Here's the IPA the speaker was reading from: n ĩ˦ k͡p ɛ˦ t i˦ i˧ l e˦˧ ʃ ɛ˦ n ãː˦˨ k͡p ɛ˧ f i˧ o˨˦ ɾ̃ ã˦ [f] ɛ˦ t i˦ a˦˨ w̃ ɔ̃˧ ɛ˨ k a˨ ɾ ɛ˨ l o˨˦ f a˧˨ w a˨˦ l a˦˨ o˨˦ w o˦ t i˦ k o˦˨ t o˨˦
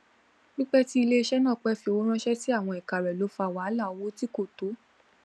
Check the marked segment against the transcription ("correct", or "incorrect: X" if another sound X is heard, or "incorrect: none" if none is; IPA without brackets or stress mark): incorrect: ʃ